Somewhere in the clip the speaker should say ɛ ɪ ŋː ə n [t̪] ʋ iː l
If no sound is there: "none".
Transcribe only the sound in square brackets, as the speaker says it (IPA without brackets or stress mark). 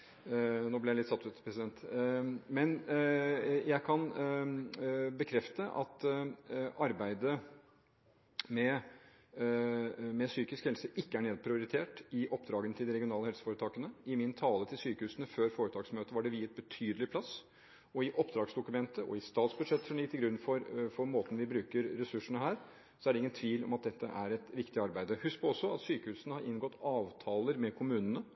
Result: t̪ʰ